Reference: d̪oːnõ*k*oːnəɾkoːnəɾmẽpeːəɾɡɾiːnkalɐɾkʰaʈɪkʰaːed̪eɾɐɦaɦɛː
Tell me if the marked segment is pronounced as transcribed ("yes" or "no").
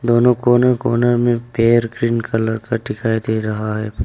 yes